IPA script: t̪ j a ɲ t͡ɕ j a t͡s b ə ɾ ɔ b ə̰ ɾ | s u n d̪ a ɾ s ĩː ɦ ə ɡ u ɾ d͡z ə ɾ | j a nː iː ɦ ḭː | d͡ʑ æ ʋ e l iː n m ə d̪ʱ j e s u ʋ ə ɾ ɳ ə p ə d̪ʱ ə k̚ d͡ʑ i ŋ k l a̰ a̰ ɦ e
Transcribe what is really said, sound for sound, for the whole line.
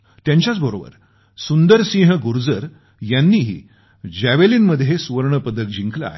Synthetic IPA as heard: t̪ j a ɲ t͡ɕ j a t͡s b ə ɾ o b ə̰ ɾ | s u n d̪ ə ɾ s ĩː ɦ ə ɡ u ɾ d͡z ə ɾ | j a nː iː ɦ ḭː | d͡ʑ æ ʋ e l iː n m ə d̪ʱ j e s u ʋ ə ɾ ɳ ə p ə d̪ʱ ə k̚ d͡ʑ i ŋ k l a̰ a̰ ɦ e

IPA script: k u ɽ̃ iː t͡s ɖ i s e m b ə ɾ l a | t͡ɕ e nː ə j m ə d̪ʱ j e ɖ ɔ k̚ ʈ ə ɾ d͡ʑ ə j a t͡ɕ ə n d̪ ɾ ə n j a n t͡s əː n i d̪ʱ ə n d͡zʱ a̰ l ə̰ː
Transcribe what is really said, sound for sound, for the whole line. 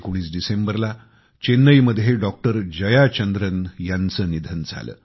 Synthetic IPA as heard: k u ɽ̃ iː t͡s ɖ i s e m b ə ɾ l a | t͡ɕ e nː ə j m ə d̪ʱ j e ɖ ɔ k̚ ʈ ə ɾ d͡ʑ ə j a t͡ɕ ə n d̪ ɾ ə n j a n t͡s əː n i d̪ʱ ə n d͡zʱ a̰ l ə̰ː

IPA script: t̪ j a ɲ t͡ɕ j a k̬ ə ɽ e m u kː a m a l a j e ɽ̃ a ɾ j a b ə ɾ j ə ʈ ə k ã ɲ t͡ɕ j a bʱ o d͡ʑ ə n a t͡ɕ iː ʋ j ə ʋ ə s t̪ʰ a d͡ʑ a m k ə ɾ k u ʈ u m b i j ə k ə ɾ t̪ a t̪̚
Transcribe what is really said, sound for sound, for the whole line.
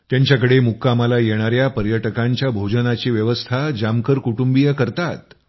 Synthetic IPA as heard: t̪ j a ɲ t͡ɕ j a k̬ ə ɽ e m u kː a m a l a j e ɽ̃ a ɾ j a p ə ɾ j ə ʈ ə k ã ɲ t͡ɕ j a bʱ o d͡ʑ ə n a t͡ɕ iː ʋ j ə ʋ ə s t̪ʰ a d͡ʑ a m k ə ɾ k u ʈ u m b i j ə k ə ɾ t̪ a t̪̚

